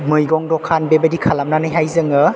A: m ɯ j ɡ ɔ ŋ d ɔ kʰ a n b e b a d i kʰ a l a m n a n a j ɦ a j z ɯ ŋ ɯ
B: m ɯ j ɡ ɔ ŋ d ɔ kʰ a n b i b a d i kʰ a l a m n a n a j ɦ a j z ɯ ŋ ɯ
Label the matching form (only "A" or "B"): A